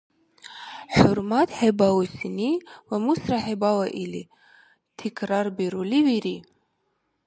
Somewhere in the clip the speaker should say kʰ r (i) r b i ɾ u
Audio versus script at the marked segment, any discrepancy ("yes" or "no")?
yes